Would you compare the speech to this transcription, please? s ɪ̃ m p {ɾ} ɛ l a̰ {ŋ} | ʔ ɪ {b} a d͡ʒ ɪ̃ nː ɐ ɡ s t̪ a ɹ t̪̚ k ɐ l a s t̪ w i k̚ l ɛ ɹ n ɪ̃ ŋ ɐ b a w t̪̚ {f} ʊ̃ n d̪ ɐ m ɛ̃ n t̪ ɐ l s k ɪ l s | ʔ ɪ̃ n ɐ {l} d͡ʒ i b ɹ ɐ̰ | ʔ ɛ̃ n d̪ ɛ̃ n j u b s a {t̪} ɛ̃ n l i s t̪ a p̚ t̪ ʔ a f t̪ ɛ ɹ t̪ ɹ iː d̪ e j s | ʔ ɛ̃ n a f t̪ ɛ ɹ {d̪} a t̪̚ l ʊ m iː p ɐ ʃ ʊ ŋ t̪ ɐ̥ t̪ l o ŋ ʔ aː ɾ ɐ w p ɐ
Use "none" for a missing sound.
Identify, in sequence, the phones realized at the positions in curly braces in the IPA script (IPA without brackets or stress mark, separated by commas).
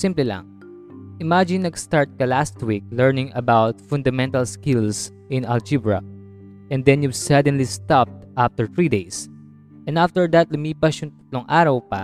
l, ŋ, m, f, l, d̪, d̪